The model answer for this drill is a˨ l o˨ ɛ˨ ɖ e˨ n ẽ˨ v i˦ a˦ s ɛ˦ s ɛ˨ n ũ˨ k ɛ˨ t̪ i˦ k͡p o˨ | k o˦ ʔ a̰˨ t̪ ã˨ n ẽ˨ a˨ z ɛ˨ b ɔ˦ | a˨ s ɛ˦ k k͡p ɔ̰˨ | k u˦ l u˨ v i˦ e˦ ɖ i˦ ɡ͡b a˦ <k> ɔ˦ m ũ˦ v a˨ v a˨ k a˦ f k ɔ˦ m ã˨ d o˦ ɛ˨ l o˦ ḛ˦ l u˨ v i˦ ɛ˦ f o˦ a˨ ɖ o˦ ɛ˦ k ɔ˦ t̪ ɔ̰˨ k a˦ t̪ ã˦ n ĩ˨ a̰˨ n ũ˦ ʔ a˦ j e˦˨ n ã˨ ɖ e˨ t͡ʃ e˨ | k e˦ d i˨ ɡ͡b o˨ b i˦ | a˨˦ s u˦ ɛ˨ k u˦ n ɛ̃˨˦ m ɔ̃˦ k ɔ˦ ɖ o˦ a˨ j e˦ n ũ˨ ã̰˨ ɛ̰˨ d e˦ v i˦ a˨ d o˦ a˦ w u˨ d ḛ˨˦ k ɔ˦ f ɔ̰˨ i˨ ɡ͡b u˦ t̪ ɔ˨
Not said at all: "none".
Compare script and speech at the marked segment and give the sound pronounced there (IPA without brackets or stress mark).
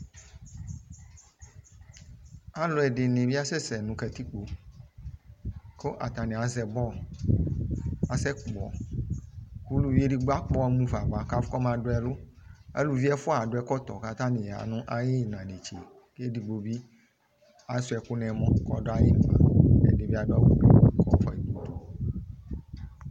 k͡p